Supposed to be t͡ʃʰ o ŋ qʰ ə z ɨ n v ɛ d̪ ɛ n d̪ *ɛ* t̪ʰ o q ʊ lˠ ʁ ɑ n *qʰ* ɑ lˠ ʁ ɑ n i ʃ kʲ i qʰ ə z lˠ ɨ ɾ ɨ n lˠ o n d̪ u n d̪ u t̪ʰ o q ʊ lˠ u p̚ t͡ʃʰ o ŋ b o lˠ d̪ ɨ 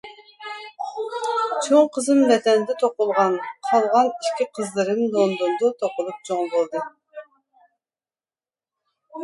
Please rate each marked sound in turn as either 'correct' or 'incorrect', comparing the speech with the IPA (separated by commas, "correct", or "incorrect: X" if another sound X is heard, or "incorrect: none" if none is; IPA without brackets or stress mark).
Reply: correct, correct